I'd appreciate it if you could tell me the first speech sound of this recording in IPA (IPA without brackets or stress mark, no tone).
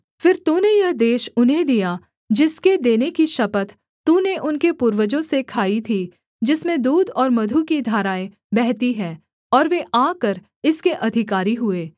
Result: f